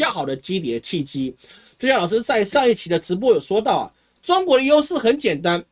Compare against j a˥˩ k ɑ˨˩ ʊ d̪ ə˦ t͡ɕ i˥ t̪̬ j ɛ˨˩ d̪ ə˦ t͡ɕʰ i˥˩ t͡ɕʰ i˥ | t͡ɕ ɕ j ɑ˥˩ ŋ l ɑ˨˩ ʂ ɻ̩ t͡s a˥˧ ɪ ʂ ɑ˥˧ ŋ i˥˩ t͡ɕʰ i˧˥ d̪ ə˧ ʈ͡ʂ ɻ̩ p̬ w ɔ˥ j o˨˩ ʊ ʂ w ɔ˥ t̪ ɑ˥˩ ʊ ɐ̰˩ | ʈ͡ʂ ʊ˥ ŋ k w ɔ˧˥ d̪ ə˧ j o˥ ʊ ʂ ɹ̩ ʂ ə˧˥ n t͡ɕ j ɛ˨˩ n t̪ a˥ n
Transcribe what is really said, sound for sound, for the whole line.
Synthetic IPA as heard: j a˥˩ x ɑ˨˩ ʊ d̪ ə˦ t͡ɕ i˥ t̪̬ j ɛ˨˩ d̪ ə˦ t͡ɕʰ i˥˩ t͡ɕ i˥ | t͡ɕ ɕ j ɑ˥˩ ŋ l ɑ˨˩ ʂ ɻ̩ t͡s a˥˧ ɪ ʂ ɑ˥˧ ŋ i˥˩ t͡ɕʰ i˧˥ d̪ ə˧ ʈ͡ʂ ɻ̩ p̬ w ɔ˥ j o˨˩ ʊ ʂ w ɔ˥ t̪ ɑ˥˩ ʊ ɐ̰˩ | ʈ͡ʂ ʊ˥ ŋ k w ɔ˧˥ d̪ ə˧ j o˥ ʊ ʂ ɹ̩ x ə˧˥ n t͡ɕ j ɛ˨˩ n t̪ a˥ n

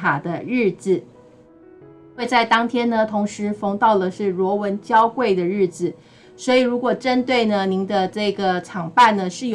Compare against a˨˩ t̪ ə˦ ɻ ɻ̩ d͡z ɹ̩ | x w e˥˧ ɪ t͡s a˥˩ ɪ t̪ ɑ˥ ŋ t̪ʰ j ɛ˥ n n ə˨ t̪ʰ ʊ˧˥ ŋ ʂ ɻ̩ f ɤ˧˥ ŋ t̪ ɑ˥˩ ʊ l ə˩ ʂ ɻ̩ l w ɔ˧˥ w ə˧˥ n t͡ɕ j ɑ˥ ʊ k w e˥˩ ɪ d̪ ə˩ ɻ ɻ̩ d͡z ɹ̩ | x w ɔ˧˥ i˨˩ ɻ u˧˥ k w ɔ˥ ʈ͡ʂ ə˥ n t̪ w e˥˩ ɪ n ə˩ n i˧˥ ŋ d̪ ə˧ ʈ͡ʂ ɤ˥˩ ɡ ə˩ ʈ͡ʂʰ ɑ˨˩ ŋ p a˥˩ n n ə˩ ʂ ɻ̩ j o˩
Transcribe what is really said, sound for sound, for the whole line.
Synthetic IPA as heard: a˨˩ d̪ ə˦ ɻ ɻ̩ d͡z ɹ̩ | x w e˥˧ ɪ t͡s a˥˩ ɪ t̪ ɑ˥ ŋ t̪ʰ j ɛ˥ n n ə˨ t̪ʰ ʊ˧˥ ŋ ʂ ɻ̩ f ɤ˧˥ ŋ t̪ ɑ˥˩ ʊ l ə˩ ʂ ɻ̩ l w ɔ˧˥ w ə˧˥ n t͡ɕ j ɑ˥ ʊ k w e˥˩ ɪ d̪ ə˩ ɻ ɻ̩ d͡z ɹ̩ | s w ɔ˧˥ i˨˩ ɻ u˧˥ k w ɔ˨˩ ʈ͡ʂ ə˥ n t̪ w e˥˩ ɪ n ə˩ n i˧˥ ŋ d̪ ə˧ ʈ͡ʂ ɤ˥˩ ɡ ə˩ ʈ͡ʂʰ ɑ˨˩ ŋ p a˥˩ n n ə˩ ʂ ɻ̩ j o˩

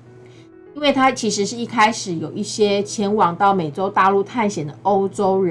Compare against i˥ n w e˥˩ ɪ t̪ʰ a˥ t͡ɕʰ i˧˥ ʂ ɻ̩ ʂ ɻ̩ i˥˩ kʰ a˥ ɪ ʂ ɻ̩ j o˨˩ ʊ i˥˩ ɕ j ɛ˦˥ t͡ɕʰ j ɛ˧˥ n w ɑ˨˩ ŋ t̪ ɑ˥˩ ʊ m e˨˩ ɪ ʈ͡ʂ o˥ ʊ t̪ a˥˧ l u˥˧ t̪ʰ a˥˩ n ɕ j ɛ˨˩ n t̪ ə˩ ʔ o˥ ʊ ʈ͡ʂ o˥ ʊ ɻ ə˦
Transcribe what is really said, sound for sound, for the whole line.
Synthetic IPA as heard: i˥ n w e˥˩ ɪ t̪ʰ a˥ t͡ɕʰ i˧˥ ʂ ɻ̩ ʂ ɻ̩ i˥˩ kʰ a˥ ɪ ʂ ɻ̩ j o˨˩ ʊ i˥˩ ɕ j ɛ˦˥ t͡ɕʰ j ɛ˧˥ n w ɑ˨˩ ŋ t̪ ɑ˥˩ ʊ m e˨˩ ɪ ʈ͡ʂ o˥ ʊ t̪ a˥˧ l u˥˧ t̪ʰ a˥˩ n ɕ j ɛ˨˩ n d̪ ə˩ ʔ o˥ ʊ ʈ͡ʂ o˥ ʊ ɻ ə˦

